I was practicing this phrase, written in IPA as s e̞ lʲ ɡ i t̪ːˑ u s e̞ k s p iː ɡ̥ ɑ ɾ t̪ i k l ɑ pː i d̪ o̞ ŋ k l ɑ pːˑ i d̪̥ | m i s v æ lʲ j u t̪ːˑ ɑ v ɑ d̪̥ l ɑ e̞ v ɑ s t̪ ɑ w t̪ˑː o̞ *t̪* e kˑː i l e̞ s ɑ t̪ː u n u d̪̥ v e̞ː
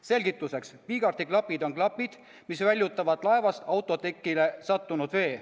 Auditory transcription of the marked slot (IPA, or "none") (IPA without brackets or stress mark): t̪